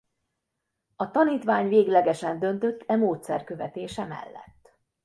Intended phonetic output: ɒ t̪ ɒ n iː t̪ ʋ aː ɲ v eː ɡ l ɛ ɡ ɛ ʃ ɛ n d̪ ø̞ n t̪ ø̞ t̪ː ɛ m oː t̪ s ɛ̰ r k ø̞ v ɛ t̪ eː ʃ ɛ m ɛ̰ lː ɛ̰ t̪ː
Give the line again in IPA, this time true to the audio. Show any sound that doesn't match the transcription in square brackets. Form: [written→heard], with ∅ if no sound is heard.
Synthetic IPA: ɒ t̪ ɒ n iː t̪ ʋ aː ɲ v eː ɡ l ɛ ɡ ɛ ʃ ɛ n d̪ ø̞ n t̪ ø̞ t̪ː ɛ m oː t̪ s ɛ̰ r k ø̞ v ɛ t̪ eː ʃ ɛ m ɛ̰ lː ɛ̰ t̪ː